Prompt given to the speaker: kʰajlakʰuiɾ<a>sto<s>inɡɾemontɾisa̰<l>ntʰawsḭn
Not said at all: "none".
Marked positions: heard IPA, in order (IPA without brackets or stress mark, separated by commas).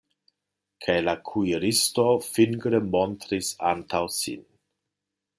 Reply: i, f, none